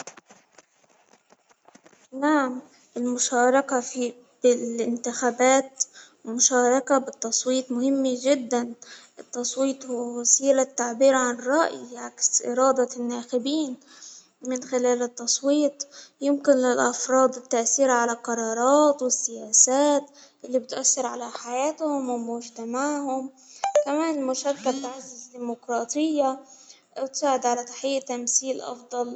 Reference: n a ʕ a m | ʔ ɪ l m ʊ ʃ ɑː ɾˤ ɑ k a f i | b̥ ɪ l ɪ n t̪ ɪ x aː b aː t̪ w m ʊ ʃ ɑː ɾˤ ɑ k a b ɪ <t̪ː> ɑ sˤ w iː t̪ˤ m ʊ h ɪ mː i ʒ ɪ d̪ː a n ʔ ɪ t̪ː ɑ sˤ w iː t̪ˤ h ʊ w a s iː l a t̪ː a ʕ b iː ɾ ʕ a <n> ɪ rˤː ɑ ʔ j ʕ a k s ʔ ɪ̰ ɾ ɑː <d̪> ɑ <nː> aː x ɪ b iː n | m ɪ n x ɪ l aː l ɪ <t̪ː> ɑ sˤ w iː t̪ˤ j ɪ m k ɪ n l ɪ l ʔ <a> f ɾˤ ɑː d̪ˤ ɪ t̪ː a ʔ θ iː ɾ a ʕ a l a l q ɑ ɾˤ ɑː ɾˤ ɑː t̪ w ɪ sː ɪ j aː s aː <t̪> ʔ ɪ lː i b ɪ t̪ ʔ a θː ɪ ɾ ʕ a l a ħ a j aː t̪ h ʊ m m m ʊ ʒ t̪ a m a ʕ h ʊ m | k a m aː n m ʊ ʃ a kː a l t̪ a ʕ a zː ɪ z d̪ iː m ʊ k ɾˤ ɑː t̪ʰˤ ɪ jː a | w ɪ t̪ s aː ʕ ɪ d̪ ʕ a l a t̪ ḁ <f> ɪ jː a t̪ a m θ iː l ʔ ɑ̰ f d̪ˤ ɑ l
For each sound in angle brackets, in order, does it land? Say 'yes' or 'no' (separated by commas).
yes, yes, yes, yes, yes, no, yes, no